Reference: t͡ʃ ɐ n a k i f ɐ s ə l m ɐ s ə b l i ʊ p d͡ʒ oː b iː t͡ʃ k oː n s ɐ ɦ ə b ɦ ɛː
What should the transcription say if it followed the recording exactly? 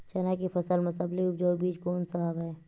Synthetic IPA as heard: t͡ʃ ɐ n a k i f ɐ s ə l m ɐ s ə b l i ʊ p d͡ʒ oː b iː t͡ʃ k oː n s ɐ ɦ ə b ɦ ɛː